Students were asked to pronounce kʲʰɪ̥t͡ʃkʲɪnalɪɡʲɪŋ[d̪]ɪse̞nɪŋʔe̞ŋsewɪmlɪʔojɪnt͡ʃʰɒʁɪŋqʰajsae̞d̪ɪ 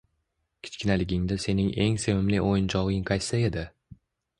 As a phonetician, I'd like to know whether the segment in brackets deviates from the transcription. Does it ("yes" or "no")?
no